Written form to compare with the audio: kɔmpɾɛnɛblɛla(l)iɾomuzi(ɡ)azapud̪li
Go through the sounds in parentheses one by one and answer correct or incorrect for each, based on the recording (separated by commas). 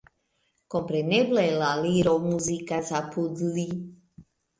correct, incorrect